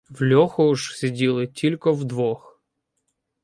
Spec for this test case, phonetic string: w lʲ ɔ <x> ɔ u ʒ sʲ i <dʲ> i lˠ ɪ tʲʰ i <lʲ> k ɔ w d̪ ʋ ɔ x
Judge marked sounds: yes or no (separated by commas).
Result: yes, yes, yes